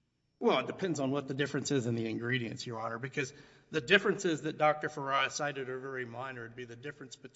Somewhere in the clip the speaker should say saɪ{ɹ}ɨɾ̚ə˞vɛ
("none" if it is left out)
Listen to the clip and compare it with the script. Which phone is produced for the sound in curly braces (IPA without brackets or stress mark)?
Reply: ɾ